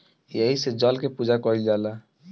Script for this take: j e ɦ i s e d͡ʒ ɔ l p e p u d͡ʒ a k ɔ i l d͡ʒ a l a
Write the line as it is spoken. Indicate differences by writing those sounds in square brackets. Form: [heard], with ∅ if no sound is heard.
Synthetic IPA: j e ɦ i s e d͡ʒ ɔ l [k] e p u d͡ʒ a k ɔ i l d͡ʒ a l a